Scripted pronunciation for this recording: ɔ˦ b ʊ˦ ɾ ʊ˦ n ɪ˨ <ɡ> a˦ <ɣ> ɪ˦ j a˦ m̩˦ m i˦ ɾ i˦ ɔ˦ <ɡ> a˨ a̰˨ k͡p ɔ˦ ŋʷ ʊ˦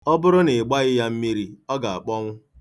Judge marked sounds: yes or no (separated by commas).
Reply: no, yes, yes